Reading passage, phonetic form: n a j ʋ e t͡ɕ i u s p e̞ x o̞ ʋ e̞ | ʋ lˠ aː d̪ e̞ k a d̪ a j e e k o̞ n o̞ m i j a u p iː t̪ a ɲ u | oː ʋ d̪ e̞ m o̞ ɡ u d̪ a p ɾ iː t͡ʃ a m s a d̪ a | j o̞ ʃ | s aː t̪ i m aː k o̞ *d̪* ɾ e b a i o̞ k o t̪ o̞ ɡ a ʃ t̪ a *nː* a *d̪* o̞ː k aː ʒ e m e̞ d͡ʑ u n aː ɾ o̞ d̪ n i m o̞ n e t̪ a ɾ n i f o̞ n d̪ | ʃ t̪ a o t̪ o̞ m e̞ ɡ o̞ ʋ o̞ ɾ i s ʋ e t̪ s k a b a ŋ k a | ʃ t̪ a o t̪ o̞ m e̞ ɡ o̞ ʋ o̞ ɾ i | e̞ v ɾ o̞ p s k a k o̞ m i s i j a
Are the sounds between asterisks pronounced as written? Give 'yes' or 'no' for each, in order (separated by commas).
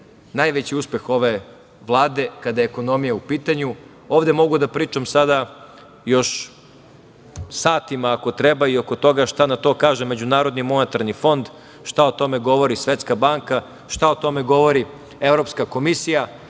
no, no, no